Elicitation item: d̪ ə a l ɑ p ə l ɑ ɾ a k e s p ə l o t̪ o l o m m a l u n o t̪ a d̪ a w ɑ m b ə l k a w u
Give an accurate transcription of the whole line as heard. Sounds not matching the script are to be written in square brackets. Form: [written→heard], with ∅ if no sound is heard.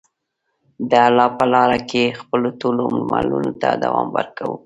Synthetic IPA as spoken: d̪ ə a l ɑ p ə l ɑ ɾ a k e [s→x] p ə l o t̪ o l o m m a l u n o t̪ a d̪ a w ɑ m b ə [l→ɾ] k a w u